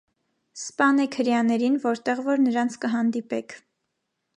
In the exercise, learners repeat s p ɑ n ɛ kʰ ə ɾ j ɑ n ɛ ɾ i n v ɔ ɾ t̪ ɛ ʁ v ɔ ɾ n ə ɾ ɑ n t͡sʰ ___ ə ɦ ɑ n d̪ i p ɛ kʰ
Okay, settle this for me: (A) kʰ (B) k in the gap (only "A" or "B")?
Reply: B